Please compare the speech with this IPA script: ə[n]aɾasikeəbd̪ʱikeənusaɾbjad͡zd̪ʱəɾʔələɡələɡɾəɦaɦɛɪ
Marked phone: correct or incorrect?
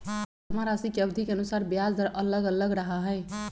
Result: incorrect